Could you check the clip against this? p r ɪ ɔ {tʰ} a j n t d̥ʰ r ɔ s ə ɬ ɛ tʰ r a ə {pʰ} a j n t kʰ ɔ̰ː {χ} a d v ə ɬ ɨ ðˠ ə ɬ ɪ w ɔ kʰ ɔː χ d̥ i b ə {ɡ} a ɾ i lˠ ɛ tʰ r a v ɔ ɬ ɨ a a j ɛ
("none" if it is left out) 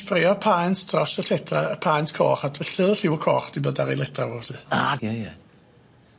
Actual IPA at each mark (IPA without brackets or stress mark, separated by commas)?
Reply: pʰ, pʰ, χ, d